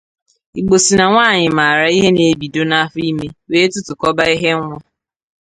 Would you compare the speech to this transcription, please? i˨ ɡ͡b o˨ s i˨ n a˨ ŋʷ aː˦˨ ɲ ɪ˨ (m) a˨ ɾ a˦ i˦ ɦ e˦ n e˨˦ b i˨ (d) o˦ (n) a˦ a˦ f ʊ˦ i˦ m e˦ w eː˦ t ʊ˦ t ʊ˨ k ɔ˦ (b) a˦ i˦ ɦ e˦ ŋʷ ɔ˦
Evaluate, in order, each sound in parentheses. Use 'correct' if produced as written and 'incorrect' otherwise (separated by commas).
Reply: correct, correct, correct, correct